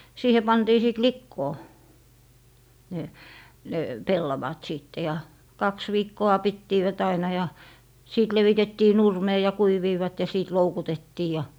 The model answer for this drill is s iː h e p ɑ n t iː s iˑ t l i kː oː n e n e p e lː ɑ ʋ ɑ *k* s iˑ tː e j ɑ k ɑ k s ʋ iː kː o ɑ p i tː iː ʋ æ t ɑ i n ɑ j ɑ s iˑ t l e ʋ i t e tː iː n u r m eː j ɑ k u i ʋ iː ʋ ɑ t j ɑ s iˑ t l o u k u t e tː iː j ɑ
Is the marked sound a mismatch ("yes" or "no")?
yes